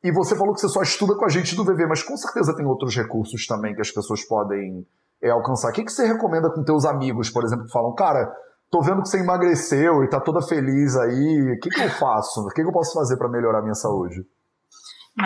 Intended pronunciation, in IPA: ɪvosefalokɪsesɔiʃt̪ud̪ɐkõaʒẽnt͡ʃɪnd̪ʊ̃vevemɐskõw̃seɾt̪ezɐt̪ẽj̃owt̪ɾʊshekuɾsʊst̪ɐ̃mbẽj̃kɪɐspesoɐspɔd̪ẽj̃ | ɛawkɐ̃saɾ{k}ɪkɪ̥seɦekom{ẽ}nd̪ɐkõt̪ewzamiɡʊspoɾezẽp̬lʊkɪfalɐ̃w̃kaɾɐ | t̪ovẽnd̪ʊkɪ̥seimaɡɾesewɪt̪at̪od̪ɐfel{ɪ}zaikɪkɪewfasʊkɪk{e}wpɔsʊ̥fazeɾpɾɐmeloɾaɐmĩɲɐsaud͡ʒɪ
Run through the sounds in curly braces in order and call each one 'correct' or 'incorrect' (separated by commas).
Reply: correct, correct, incorrect, correct